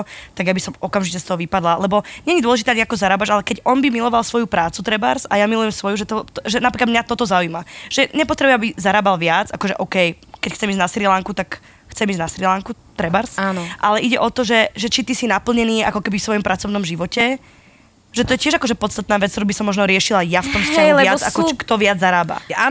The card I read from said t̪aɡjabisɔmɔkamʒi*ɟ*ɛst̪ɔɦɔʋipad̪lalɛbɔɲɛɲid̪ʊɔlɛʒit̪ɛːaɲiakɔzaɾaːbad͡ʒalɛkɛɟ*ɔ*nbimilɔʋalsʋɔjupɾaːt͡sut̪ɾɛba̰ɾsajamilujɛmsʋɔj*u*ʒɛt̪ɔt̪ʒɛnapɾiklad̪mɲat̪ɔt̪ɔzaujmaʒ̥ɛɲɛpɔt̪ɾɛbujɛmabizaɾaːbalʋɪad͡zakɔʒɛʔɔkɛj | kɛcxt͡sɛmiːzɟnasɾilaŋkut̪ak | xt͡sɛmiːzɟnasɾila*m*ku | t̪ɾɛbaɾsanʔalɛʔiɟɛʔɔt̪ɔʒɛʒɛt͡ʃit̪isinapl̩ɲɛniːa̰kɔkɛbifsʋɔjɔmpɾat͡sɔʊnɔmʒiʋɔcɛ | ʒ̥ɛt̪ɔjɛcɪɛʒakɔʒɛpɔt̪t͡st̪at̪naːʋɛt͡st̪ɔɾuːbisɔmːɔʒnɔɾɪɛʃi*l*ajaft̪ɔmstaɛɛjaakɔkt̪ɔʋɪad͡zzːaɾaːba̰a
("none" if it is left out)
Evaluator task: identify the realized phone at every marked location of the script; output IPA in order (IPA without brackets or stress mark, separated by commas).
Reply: c, ɔ, u, ŋ, l